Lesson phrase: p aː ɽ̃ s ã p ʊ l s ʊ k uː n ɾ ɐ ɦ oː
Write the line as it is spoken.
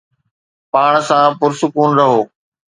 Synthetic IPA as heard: p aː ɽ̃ s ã p ʊ ɾ s ʊ k uː n ɾ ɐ ɦ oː